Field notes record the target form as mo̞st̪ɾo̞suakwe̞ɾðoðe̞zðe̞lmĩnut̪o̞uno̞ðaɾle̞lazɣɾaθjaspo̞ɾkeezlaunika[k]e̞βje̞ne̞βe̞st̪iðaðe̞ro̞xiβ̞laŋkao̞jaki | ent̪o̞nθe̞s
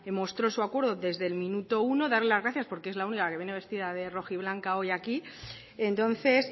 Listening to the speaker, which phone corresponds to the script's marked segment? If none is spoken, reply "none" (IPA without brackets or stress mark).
k